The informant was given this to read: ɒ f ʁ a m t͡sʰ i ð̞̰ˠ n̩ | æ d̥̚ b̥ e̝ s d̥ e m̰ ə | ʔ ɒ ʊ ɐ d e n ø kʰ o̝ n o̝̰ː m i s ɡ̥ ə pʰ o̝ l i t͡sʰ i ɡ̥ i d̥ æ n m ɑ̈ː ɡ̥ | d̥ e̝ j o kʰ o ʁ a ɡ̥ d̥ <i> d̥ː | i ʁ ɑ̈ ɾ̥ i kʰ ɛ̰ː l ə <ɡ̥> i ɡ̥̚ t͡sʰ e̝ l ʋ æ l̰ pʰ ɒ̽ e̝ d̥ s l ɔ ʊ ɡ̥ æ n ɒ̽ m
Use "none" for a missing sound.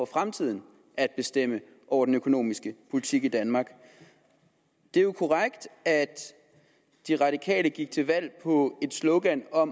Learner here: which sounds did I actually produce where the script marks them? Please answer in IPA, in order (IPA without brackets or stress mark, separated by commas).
æ, ɡ̥